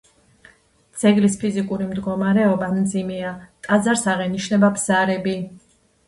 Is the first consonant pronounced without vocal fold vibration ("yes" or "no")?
no